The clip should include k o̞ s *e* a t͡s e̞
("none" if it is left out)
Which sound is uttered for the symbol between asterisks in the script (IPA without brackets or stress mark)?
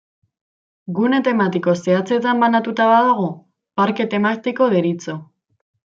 e